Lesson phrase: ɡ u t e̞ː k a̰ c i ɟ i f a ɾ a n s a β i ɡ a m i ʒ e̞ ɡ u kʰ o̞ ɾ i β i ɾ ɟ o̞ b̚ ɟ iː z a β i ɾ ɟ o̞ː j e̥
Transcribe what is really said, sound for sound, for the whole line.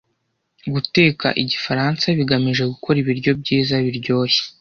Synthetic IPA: ɡ u t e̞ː k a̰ ʔ i ɟ i f a ɾ a n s a β i ɡ a m i ʒ e̞ ɡ u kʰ o̞ ɾ i β i ɾ ɟ o̞ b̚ ɟ iː z a β i ɾ ɟ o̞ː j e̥